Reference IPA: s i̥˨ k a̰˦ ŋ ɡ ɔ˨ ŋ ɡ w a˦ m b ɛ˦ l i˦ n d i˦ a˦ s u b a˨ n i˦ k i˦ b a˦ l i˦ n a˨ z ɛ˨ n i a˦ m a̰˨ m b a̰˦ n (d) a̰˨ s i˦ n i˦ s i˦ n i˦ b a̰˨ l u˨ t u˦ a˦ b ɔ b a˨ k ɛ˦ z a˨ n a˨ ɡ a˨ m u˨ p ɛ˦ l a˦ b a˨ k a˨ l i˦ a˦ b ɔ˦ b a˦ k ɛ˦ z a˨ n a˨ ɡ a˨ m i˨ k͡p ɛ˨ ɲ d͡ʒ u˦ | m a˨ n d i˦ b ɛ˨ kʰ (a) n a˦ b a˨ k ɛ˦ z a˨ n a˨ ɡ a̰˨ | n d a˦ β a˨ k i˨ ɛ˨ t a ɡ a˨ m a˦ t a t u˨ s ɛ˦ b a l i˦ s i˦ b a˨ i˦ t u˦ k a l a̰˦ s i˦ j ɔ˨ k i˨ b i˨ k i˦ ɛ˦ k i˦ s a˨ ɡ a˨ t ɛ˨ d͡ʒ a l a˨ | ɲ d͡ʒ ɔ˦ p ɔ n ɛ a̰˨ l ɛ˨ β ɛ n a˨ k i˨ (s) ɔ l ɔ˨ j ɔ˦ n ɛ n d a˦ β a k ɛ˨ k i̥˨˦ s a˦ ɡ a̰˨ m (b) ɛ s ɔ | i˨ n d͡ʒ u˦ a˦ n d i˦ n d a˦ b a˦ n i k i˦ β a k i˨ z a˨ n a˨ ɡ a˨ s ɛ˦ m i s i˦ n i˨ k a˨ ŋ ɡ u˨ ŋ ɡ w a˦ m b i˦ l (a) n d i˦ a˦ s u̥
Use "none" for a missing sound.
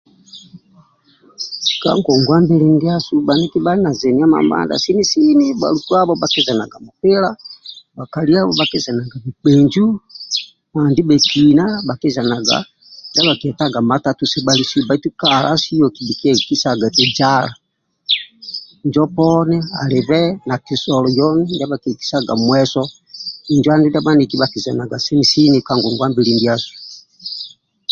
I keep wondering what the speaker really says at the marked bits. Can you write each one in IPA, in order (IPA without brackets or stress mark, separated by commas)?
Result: d, i, s, w, i